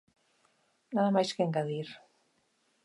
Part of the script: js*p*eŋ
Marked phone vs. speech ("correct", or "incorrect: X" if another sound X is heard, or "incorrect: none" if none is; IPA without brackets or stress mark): incorrect: k